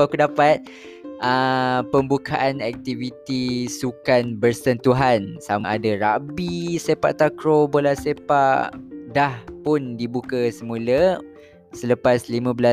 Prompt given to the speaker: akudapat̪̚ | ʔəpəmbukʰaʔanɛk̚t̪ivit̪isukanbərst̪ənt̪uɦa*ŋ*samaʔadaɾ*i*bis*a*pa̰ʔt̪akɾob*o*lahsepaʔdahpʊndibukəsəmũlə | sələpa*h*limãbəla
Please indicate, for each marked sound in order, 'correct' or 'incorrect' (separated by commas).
incorrect, incorrect, incorrect, correct, incorrect